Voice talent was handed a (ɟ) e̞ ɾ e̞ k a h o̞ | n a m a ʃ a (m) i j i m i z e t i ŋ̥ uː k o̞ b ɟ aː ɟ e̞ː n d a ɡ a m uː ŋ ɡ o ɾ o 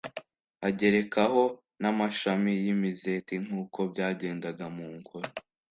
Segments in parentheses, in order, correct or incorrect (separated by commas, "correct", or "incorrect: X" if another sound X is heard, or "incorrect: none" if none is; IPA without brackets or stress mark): correct, correct